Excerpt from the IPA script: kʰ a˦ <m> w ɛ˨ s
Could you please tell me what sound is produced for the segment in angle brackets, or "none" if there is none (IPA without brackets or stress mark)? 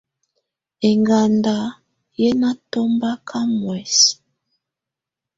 m